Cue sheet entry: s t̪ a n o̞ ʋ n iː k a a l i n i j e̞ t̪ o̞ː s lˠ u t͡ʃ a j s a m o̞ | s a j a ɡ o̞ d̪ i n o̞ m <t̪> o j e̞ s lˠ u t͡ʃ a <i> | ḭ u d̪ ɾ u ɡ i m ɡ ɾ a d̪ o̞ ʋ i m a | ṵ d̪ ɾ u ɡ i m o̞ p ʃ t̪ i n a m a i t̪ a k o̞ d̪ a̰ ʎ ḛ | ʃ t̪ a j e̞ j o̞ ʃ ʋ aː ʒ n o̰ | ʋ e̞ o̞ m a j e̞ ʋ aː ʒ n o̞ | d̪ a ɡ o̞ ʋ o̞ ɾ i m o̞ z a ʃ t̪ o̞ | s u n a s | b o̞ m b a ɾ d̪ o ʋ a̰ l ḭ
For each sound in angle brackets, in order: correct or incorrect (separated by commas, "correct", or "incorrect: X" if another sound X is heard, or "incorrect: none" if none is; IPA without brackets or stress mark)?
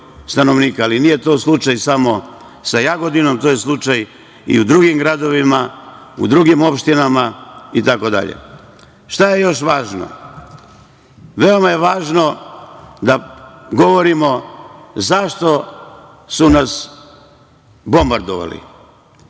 correct, incorrect: j